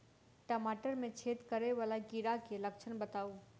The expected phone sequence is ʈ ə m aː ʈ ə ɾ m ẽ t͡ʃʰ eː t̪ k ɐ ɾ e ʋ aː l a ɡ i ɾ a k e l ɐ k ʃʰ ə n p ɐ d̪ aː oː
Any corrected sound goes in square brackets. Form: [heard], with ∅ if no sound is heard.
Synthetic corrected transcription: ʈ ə m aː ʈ ə ɾ m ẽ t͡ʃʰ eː t̪ k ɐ ɾ e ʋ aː l a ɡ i ɾ a k e l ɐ k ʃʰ ə n [b] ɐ [t̪] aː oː